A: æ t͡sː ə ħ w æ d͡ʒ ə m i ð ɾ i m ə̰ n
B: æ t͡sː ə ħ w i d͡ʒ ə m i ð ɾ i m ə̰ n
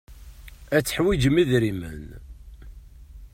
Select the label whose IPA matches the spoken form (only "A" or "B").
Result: B